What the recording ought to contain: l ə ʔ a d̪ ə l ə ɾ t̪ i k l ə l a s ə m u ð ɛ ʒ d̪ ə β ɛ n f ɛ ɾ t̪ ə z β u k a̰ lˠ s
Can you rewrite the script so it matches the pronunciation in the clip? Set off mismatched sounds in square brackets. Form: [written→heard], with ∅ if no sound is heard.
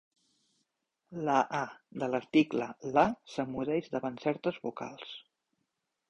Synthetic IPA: l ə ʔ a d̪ ə l ə ɾ t̪ i k l ə l a s ə m u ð ɛ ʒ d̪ ə β [ɛ→a] n [f→s] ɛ ɾ t̪ ə z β u k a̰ lˠ s

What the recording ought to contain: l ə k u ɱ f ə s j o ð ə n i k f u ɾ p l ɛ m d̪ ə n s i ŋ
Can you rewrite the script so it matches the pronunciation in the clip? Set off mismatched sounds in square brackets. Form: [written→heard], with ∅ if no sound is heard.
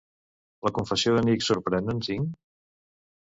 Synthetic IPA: l ə k u ɱ f ə s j o ð ə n i k [f→s] u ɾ p [l→ɾ] ɛ [m→n] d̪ ə n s i ŋ

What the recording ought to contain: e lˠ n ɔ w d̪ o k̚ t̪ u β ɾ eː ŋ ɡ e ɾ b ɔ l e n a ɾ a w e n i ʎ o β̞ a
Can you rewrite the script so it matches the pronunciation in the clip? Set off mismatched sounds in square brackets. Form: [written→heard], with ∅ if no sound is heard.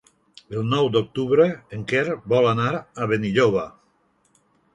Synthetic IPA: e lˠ n ɔ w d̪ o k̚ t̪ u β ɾ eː ŋ [ɡ→k] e ɾ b ɔ l [e→a] n a ɾ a [w→β] e n i ʎ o β̞ a

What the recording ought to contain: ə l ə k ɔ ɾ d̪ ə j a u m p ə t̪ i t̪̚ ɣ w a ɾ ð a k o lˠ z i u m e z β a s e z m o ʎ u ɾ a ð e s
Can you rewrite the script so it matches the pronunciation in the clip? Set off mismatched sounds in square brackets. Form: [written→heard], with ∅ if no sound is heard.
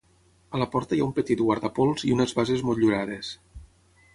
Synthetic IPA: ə l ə [k→p] ɔ ɾ [d̪→t̪] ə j a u m p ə t̪ i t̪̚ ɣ w a ɾ ð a [k→p] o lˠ z i u [m→n] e z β a [s→z] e z m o ʎ u ɾ a ð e s

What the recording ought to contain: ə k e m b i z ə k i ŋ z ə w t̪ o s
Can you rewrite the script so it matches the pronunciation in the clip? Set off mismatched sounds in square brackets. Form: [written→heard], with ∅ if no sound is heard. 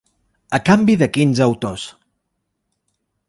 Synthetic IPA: ə k [e→a] m b i [z→ð] ə k i [ŋ→n] z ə w t̪ o s

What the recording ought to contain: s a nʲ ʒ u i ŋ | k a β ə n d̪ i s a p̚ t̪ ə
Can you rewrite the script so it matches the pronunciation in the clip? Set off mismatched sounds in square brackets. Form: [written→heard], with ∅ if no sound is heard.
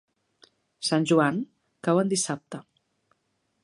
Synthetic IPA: s a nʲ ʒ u [i→a] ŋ | k a [β→w] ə n d̪ i s a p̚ t̪ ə

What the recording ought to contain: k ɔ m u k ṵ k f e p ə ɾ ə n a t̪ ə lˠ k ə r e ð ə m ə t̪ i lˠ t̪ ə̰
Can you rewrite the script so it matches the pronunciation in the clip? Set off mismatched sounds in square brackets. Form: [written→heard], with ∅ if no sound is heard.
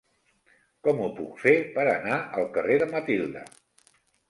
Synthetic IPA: k ɔ m u [k→p] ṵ k f e p ə ɾ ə n a [t̪→∅] ə lˠ k ə r e ð ə m ə t̪ i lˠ [t̪→d̪] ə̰

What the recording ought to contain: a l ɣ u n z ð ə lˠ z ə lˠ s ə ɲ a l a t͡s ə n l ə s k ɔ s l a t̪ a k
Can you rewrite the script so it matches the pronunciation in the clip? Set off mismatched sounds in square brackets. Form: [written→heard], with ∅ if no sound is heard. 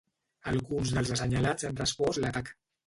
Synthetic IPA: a l ɣ u n z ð ə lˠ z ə [lˠ→∅] s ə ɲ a l a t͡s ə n [l→r] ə s [k→p] ɔ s l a t̪ a k

